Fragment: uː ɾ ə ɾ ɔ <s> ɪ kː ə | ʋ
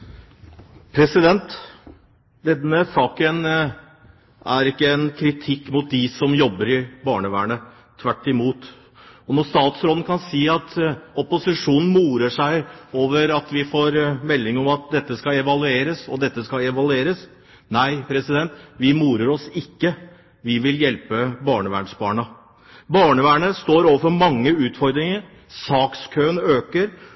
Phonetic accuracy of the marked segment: correct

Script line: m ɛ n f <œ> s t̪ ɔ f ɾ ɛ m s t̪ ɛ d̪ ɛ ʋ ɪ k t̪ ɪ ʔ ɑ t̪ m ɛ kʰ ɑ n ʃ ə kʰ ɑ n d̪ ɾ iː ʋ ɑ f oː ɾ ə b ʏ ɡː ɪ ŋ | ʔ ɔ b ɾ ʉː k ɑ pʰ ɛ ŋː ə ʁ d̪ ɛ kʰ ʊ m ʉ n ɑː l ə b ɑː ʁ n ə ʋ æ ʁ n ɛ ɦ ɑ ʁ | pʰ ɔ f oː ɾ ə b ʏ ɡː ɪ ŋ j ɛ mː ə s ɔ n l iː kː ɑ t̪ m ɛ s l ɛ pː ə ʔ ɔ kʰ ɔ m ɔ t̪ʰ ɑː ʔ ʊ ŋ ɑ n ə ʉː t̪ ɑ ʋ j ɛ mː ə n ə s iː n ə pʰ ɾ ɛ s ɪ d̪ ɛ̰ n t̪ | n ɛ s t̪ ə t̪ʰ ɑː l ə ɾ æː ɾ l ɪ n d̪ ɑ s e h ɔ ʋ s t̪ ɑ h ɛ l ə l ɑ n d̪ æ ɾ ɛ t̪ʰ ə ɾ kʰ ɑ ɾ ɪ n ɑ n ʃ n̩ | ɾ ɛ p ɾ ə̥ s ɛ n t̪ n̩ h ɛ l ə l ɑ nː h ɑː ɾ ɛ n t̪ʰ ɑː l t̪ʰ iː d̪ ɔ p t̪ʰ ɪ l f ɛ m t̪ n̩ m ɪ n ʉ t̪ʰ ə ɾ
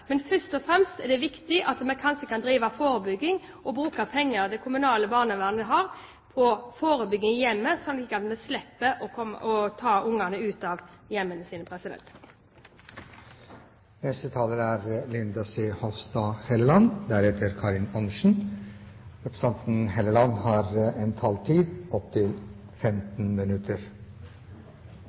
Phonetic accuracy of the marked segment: correct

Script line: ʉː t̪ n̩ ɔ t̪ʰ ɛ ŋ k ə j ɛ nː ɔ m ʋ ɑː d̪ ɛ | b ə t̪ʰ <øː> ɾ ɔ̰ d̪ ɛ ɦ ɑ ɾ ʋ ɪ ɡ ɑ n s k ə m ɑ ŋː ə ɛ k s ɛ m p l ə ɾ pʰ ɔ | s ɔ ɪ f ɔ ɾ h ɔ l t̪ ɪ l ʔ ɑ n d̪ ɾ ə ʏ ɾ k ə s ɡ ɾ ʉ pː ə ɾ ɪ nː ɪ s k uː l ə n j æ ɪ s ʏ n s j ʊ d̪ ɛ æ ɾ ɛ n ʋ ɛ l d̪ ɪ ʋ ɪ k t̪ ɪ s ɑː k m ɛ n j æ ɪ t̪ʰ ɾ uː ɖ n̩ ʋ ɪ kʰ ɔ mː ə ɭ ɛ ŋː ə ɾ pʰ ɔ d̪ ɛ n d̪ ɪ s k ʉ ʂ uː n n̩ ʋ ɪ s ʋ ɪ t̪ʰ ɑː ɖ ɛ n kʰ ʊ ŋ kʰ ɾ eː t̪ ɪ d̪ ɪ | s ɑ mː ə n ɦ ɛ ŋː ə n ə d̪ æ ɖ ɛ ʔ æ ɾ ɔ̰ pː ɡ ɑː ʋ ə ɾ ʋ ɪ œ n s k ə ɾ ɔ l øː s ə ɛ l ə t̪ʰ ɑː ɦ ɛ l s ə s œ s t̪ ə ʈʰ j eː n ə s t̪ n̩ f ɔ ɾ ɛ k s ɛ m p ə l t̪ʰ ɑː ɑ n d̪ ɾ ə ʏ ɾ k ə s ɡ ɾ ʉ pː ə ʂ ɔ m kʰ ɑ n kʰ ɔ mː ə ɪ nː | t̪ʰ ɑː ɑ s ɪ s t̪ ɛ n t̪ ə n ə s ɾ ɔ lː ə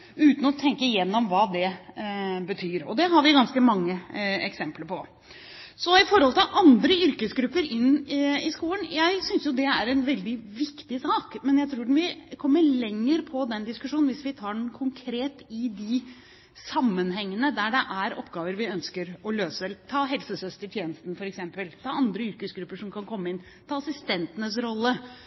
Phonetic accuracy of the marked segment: incorrect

